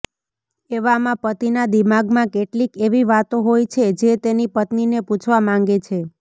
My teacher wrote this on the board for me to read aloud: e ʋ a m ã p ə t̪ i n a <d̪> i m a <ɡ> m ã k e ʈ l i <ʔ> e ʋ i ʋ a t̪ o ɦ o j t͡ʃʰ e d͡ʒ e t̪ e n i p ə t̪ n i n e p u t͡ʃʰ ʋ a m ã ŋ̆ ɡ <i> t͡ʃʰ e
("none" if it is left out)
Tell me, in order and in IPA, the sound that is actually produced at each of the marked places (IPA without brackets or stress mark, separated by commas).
d̪, ɡ, k, e